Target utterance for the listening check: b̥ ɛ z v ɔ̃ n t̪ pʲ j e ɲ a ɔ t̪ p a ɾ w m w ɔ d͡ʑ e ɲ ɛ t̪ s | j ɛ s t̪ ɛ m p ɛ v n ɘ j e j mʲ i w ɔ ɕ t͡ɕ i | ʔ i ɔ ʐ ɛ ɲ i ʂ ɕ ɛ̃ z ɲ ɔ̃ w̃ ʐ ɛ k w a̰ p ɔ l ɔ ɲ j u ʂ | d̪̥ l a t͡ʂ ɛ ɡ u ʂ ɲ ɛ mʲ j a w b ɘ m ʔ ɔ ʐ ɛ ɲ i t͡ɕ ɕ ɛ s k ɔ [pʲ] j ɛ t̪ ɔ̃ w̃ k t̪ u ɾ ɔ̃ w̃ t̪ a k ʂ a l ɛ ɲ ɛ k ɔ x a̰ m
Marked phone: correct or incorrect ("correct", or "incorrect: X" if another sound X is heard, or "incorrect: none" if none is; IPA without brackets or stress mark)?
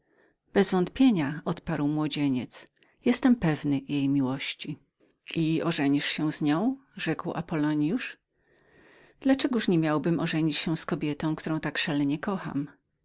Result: incorrect: bʲ